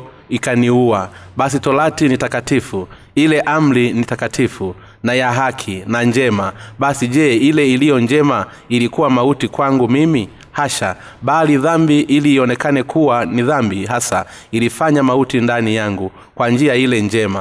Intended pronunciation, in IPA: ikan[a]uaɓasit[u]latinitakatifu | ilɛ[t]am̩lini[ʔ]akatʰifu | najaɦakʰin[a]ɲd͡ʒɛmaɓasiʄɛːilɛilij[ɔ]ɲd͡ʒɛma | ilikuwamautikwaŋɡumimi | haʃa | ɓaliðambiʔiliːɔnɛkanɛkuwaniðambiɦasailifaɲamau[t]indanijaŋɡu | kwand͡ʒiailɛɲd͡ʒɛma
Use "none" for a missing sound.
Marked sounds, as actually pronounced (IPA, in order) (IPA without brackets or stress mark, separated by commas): i, ɔ, ʔ, t, a, ɔ, t